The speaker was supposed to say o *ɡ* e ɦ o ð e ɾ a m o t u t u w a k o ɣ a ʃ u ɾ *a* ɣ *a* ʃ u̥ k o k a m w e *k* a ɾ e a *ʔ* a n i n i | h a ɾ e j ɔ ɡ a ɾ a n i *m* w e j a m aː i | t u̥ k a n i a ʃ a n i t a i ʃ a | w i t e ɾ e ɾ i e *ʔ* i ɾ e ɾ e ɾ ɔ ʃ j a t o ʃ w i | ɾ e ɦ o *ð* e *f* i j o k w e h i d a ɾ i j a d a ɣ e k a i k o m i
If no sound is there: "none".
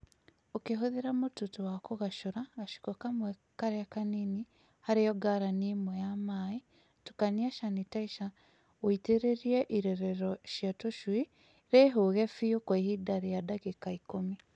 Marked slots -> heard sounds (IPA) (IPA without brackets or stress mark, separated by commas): k, a, a, k, k, m, ʔ, ɣ, f